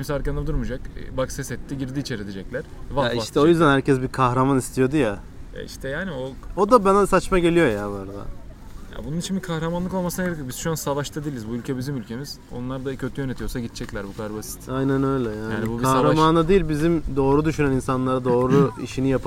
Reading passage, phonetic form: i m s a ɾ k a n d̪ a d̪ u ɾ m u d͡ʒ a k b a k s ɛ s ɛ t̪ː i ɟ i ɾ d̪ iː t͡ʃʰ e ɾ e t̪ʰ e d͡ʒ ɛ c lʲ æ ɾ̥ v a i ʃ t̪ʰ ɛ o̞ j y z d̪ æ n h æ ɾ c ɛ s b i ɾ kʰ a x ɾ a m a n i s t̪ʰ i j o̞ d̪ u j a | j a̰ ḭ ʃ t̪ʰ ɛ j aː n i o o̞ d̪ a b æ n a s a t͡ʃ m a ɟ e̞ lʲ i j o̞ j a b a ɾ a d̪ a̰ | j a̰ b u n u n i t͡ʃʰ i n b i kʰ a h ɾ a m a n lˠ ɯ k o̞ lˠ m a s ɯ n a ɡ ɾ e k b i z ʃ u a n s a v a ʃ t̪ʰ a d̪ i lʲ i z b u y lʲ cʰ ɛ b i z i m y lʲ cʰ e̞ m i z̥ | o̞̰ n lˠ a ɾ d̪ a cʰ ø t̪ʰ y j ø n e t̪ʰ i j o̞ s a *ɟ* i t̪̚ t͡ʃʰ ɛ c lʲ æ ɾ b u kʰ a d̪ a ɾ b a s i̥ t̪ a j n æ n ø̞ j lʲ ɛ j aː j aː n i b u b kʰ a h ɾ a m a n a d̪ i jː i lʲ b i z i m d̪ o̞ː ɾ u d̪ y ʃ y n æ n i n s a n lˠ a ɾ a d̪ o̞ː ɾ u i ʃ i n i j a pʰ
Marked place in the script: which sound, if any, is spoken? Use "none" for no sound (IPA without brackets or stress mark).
ɟ